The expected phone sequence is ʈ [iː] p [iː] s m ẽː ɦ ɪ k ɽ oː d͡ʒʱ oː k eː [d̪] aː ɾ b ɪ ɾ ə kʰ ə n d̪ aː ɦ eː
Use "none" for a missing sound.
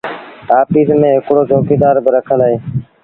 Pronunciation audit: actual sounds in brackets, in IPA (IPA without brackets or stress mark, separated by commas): aː, iː, d̪